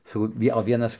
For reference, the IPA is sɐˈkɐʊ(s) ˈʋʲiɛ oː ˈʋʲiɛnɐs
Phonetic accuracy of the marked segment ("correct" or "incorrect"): incorrect